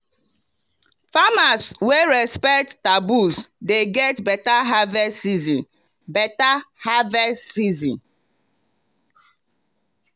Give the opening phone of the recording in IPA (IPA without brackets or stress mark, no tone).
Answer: f